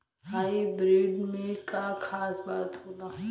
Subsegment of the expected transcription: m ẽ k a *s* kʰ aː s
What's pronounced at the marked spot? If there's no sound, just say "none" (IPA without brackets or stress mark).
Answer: none